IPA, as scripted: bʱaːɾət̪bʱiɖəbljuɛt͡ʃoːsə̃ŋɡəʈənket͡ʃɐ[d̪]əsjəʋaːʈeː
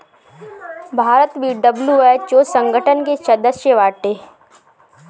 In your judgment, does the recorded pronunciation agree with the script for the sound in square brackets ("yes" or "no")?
yes